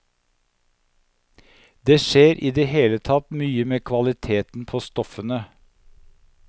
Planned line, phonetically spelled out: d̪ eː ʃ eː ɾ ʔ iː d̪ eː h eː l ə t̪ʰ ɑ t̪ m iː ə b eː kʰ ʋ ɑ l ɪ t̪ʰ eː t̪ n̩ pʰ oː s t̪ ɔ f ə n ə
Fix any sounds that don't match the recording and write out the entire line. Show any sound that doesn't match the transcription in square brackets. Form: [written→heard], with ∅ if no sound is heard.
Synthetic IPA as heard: d̪ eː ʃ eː ɾ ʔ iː d̪ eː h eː l ə t̪ʰ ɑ t̪ m [iː→yː] ə [b→m] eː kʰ ʋ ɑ l ɪ t̪ʰ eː t̪ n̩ pʰ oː s t̪ ɔ f ə n ə